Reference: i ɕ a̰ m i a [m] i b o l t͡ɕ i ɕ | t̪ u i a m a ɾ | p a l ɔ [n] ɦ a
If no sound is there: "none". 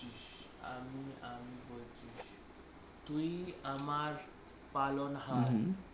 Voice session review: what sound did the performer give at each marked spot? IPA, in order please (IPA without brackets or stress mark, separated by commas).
m, n